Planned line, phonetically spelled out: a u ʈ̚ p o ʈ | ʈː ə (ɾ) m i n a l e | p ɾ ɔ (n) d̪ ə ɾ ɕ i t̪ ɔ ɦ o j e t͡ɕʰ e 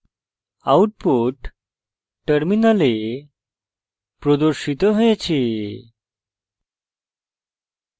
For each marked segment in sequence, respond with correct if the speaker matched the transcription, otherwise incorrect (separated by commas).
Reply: correct, incorrect